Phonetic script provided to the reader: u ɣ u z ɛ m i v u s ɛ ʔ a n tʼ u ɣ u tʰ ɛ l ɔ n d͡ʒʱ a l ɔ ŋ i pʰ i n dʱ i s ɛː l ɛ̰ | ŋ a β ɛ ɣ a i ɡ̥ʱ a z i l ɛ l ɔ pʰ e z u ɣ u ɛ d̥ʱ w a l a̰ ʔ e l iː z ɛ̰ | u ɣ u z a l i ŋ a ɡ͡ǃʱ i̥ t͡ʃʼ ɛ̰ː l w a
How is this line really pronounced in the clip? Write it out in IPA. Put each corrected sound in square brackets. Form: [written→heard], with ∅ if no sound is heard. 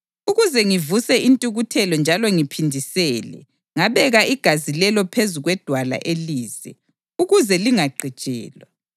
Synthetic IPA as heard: u ɣ u z ɛ [m→ŋ] i v u s ɛ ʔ [a→i] n tʼ u ɣ u tʰ ɛ l ɔ n d͡ʒʱ a l ɔ ŋ i pʰ i n dʱ i s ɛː l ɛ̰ | ŋ a β ɛ ɣ a i ɡ̥ʱ a z i l ɛ l ɔ pʰ e z u ɣ [u→w] ɛ d̥ʱ w a l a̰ ʔ e l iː z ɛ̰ | u ɣ u z [a→ɛ] l i ŋ a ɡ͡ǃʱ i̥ t͡ʃʼ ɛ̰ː l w a